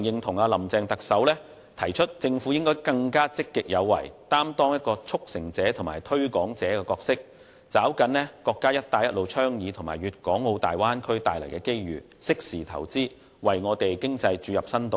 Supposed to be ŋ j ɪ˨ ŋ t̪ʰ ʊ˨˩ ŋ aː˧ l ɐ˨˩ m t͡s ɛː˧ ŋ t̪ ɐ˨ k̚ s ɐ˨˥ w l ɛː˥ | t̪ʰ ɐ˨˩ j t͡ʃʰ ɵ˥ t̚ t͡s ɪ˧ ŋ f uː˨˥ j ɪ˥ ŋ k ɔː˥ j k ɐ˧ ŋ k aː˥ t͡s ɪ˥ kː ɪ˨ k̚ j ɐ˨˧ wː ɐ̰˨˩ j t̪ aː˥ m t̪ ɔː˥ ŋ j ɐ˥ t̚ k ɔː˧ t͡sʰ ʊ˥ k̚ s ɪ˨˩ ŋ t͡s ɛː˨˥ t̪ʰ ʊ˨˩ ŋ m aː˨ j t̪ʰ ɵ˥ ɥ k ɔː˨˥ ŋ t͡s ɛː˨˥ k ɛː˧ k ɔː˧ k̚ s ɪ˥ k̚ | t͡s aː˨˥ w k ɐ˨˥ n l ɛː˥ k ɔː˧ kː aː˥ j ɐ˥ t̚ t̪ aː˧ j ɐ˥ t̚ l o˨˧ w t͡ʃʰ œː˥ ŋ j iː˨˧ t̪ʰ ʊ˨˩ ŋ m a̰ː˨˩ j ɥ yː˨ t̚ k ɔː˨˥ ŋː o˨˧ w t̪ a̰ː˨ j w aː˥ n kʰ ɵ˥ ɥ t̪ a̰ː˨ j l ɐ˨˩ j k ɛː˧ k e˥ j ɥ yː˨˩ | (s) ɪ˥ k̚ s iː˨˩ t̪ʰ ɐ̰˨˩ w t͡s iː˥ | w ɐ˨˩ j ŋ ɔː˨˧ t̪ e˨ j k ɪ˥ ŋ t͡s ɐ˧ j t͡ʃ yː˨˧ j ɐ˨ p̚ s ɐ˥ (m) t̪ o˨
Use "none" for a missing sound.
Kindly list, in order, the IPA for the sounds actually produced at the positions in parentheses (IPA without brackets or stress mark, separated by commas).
s, n